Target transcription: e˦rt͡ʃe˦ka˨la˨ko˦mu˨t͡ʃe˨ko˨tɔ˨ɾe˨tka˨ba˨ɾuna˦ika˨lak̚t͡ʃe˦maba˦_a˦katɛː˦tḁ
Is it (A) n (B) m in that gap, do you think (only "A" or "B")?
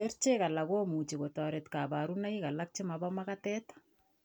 B